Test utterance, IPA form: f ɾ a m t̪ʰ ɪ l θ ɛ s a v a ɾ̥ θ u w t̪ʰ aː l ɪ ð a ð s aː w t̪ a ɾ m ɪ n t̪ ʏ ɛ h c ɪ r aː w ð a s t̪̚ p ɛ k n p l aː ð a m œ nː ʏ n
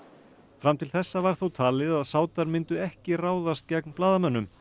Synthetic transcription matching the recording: f ɾ a m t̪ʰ ɪ l θ ɛ sː a v a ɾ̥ θ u w t̪ʰ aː l ɪ ð a ð s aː w t̪ a ɾ m ɪ n t̪ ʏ ɛ h c ɪ r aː w ð a s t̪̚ c ɛ k n p l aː ð a m œ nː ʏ m